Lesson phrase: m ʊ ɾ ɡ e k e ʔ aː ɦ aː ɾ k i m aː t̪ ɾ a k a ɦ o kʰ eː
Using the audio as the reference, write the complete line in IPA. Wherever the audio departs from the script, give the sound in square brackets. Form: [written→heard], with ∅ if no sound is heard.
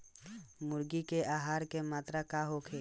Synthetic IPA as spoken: m ʊ ɾ ɡ [e→i] k e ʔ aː ɦ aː ɾ k [i→e] m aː t̪ ɾ a k a ɦ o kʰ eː